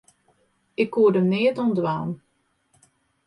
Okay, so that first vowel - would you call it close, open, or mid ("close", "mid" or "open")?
close